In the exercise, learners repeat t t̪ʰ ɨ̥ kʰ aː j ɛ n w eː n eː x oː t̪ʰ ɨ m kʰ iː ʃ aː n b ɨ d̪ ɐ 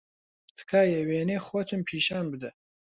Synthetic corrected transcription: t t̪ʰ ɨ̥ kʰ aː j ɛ w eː n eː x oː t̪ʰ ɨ m pʰ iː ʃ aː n b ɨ d̪ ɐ